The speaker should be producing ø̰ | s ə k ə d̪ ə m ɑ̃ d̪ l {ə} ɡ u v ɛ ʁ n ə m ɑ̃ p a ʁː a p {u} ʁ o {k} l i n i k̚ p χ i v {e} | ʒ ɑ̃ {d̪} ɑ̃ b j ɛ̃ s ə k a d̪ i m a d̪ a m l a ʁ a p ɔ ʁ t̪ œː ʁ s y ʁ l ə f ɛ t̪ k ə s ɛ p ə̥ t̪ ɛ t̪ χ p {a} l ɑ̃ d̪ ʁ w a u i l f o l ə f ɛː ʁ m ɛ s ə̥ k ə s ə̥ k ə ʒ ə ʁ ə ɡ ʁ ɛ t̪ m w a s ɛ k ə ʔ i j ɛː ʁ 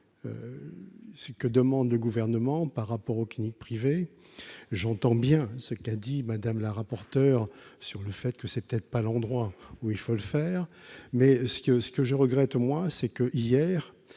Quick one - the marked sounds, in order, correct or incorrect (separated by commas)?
correct, incorrect, correct, correct, incorrect, correct